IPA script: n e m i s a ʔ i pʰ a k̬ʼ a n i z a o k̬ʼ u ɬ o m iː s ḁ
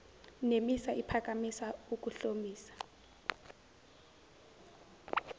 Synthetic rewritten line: n e m i s a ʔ i pʰ a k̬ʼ a m i s a u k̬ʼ u ɬ o m iː s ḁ